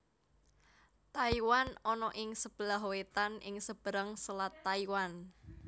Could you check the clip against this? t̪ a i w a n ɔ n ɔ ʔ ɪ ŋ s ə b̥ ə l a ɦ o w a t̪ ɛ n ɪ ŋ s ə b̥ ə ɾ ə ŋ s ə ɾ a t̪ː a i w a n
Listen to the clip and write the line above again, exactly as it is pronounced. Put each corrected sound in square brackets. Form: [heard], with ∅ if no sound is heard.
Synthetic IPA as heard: t̪ a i w a n ɔ n ɔ ʔ ɪ ŋ s ə b̥ ə l a ɦ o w [e] t̪ [a] n ɪ ŋ s ə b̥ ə ɾ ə ŋ s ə [l] a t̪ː a i w a n